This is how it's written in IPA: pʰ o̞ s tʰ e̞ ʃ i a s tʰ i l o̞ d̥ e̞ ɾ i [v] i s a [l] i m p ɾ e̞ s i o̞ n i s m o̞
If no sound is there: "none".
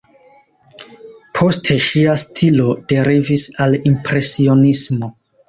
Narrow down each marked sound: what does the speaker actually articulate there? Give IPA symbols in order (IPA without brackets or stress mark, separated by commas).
v, l